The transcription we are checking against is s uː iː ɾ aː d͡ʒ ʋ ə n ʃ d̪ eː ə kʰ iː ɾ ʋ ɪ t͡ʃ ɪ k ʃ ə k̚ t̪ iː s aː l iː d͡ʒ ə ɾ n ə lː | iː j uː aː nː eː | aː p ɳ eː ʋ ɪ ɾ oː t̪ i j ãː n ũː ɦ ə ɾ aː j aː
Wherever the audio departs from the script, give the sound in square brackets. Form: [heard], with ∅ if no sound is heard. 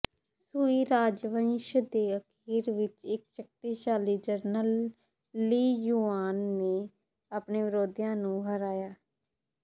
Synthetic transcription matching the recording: s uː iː ɾ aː d͡ʒ ʋ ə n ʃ d̪ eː ə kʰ iː ɾ ʋ ɪ t͡ʃ ɪ k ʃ ə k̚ t̪ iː [ʃ] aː l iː d͡ʒ ə ɾ n ə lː | iː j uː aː nː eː | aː p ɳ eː ʋ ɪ ɾ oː [d̪] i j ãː n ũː ɦ ə ɾ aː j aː